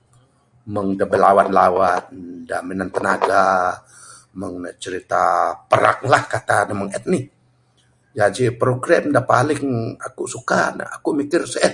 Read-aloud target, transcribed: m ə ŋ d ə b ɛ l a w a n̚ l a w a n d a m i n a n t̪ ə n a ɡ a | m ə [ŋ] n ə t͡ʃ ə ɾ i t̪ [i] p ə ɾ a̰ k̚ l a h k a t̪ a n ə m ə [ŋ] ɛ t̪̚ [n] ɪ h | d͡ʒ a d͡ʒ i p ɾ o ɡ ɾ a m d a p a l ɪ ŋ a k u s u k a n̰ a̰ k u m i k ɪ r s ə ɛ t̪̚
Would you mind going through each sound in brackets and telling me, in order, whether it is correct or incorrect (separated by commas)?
correct, incorrect, correct, correct